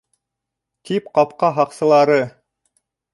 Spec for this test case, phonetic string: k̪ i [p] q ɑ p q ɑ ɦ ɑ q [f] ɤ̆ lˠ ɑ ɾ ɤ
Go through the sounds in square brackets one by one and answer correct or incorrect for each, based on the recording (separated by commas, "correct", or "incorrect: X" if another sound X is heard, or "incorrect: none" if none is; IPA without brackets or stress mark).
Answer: correct, incorrect: s